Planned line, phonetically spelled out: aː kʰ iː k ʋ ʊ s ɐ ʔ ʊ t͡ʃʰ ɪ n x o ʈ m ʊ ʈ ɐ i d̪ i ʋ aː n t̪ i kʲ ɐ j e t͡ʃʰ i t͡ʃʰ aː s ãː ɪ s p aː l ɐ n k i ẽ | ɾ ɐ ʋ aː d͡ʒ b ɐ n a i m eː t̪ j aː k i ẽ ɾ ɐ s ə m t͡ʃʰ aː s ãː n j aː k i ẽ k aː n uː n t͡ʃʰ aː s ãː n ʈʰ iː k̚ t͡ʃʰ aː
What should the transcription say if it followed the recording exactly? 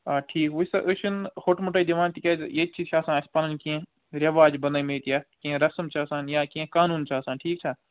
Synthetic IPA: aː ʈʰ iː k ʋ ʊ s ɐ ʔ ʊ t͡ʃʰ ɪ n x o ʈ m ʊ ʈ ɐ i d̪ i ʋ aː n t̪ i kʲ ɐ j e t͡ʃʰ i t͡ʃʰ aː s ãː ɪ s p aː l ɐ n k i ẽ | ɾ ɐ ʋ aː d͡ʒ b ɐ n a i m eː t̪ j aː k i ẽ ɾ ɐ s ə m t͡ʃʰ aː s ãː n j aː k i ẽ k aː n uː n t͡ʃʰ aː s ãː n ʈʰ iː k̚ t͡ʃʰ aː

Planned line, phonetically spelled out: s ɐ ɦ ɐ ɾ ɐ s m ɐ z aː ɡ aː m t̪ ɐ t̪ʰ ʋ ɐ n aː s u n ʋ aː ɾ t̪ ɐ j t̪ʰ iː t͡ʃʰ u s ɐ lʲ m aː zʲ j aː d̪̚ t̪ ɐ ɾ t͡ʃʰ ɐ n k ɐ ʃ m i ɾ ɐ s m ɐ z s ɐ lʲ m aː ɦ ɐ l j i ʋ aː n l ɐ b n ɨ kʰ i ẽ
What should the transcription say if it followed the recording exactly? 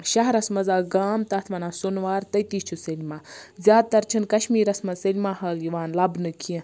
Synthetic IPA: ʃ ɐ ɦ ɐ ɾ ɐ s m ɐ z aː ɡ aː m t̪ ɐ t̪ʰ ʋ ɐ n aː s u n ʋ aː ɾ t̪ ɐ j t̪ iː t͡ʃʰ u s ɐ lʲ m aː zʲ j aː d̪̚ t̪ ɐ ɾ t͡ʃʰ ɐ n k ɐ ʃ m iː ɾ ɐ s m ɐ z s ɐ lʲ m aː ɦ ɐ l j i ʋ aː n l ɐ b n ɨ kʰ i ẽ

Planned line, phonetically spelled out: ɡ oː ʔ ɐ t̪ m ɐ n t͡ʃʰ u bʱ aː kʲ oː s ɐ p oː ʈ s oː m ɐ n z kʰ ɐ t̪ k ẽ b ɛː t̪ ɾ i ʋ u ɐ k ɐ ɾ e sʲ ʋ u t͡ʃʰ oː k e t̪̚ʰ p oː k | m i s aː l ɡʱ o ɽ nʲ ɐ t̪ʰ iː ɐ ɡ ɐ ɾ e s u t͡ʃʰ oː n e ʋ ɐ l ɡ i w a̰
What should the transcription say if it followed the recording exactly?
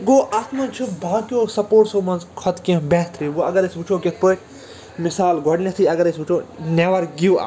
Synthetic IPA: ɡ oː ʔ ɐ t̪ m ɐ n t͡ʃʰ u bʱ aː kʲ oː s ɐ p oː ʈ s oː m ɐ n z kʰ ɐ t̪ k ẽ b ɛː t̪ ɾ i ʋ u ɐ ɡ ɐ ɾ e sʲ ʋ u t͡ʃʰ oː k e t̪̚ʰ p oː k | m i s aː l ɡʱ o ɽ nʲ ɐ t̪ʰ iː ɐ ɡ ɐ ɾ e s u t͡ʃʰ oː n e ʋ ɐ ɾ ɡ i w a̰

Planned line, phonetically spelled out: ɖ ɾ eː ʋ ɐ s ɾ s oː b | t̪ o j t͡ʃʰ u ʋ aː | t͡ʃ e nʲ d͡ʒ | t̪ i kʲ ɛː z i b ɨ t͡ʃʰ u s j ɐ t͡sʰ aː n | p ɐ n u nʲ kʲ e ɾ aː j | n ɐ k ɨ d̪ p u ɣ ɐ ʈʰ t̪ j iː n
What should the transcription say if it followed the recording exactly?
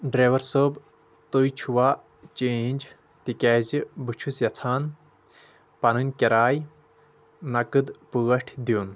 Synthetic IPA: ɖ ɾ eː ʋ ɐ ɾ s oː b | t̪ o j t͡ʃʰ u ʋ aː | t͡ʃ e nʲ d͡ʒ | t̪ i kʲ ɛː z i b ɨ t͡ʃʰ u s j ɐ t͡sʰ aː n | p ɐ n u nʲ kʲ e ɾ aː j | n ɐ k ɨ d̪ p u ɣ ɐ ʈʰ d̪ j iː n

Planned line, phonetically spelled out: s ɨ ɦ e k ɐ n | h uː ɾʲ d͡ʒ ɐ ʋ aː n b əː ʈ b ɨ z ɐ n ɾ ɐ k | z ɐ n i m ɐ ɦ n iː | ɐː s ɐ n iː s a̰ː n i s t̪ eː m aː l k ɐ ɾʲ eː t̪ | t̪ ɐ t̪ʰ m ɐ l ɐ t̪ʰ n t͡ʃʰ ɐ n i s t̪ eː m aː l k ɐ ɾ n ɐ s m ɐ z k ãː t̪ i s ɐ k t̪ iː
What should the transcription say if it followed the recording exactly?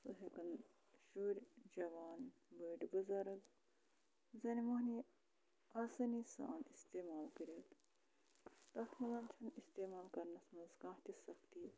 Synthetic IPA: s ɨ ɦ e k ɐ n | ʃ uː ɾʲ d͡ʒ ɐ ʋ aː n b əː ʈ b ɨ z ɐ ɾ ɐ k | z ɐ n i m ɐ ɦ n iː | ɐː s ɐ n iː s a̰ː n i s t̪ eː m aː l k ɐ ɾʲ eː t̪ | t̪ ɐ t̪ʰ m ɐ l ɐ n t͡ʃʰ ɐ n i s t̪ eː m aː l k ɐ ɾ n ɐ s m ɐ z k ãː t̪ i s ɐ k t̪ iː

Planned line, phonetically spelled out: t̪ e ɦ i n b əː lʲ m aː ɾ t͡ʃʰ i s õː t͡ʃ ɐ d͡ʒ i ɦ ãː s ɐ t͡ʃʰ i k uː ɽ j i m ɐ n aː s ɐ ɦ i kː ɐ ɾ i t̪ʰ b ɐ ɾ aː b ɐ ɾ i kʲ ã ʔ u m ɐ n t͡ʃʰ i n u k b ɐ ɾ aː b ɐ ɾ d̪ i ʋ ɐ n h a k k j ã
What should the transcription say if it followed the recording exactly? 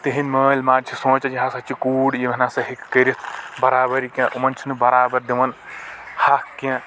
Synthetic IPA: t̪ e ɦ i n m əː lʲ m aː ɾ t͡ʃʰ i s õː t͡ʃ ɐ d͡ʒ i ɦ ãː s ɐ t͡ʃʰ i k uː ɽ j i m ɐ n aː s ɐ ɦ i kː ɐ ɾ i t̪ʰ b ɐ ɾ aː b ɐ ɾ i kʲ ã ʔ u m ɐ n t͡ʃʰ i n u b ɐ ɾ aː b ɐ ɾ d̪ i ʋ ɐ n h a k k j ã

